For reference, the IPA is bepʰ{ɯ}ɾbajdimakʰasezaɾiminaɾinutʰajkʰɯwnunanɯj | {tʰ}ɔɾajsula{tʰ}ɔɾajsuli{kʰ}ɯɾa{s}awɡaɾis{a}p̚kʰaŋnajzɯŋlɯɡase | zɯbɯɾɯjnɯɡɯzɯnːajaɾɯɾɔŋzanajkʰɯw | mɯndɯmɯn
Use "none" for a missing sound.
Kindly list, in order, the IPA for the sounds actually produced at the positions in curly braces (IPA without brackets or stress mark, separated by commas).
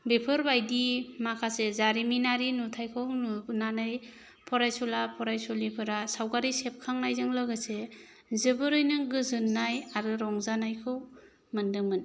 ɯ, pʰ, pʰ, pʰ, s, e